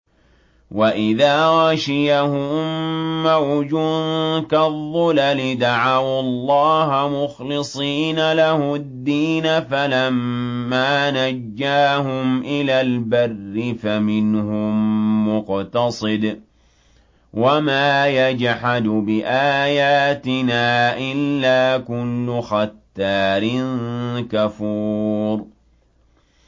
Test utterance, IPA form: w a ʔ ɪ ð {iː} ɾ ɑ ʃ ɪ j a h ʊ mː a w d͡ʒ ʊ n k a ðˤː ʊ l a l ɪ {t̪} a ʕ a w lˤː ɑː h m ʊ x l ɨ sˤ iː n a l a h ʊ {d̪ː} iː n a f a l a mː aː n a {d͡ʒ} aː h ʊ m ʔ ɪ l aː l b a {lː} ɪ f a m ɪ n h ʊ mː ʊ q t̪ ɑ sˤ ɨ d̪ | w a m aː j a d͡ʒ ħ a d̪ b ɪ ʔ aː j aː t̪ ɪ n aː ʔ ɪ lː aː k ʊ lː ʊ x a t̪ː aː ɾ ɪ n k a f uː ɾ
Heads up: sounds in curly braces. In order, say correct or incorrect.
incorrect: aː, incorrect: d̪, correct, incorrect: d͡ʒː, incorrect: rː

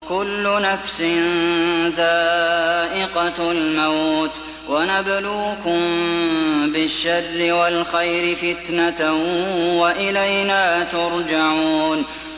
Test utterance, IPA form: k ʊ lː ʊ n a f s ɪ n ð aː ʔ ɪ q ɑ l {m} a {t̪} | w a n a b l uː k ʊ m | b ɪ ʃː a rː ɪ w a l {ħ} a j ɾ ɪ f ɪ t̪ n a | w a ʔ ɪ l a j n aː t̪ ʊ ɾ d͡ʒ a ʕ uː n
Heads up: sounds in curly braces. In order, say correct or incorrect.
correct, correct, incorrect: x

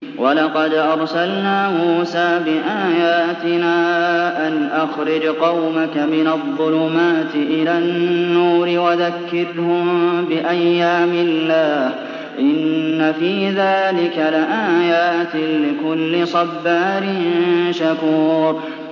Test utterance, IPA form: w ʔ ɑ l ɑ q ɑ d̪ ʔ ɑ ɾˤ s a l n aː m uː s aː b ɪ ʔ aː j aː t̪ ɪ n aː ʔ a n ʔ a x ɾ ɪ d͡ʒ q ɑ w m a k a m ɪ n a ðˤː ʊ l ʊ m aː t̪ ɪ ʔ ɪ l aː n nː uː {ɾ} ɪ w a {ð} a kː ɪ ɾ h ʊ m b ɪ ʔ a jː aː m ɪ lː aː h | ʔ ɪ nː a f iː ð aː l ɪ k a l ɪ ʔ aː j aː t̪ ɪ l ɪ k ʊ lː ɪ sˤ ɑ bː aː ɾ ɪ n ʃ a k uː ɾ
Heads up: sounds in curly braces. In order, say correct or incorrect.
correct, correct

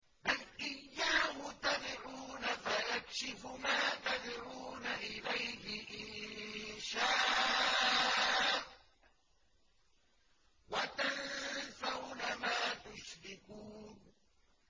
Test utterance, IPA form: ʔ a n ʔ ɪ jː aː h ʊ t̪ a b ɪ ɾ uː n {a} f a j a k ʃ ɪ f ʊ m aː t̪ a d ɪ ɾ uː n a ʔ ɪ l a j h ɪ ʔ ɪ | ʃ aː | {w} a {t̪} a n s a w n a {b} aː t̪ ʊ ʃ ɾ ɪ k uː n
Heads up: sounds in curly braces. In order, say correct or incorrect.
correct, correct, correct, incorrect: m

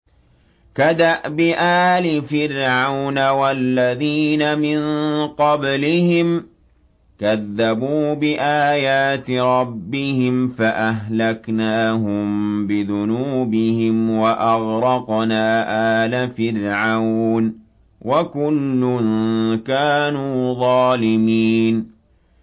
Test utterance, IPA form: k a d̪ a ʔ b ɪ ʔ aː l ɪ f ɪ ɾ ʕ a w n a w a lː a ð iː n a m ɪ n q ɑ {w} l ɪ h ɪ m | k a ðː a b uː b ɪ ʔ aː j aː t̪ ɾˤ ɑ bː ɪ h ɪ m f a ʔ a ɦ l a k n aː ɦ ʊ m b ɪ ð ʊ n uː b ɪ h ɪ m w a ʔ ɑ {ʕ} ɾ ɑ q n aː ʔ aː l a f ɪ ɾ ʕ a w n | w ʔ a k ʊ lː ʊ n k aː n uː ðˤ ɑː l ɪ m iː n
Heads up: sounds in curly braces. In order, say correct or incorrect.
incorrect: b, incorrect: ɣ

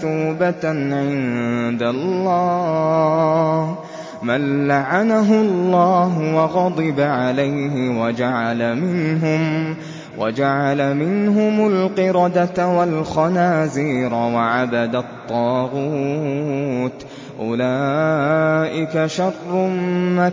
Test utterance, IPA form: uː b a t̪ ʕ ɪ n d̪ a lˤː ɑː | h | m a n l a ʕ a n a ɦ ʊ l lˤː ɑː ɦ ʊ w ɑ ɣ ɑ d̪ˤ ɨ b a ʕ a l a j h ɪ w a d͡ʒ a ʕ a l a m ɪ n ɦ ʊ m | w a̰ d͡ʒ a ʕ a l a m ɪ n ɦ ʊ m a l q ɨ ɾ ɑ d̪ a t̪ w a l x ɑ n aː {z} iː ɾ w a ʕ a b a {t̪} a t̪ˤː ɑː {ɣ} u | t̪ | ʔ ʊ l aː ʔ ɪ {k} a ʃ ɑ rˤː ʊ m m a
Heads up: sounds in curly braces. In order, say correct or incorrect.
correct, incorrect: d̪, correct, correct

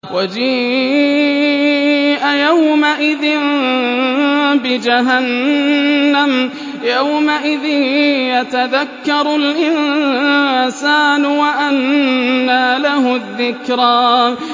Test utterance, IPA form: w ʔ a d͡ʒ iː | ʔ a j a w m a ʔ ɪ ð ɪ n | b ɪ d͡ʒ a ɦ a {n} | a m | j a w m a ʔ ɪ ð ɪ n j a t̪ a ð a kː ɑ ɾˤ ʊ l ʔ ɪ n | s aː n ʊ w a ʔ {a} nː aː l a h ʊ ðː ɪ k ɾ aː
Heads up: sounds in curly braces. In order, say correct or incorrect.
incorrect: nː, correct

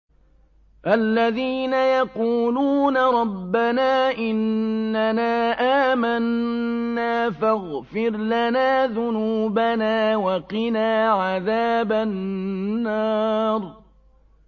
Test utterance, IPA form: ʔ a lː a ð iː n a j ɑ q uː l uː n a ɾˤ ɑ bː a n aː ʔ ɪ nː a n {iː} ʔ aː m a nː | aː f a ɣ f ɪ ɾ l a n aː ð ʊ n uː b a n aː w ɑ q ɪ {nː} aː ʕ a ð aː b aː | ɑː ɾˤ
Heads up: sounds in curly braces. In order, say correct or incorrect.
incorrect: aː, incorrect: n

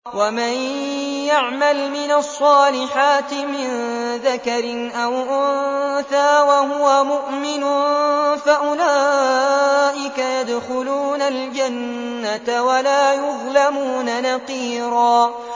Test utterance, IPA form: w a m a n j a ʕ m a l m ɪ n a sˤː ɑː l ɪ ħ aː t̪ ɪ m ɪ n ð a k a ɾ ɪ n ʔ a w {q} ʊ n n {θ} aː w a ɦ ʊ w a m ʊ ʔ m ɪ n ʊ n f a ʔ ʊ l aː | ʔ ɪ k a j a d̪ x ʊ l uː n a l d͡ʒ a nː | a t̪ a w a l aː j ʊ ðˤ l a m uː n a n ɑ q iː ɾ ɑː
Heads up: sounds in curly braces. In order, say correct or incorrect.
incorrect: ʔ, correct

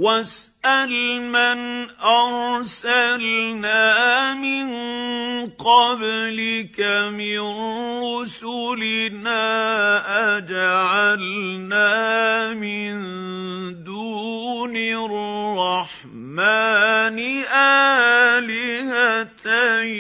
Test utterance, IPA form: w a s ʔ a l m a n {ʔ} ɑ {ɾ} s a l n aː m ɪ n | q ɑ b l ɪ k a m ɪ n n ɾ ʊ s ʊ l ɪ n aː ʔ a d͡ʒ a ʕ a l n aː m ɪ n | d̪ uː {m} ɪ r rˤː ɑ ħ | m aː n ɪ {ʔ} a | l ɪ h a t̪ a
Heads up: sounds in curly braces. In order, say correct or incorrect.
correct, correct, incorrect: n, correct

